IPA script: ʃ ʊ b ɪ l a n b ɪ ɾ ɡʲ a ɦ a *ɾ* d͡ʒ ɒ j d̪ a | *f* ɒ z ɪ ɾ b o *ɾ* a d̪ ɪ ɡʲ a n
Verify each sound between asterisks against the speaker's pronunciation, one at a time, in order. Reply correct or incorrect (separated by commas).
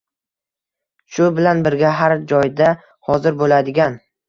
correct, incorrect, incorrect